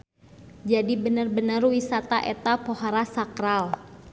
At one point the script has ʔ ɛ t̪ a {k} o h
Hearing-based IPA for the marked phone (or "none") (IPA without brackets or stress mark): p